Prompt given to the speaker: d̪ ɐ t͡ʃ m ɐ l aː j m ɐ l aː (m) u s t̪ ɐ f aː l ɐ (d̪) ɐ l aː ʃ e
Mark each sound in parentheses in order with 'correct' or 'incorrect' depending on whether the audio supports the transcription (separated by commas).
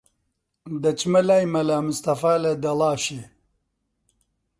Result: correct, correct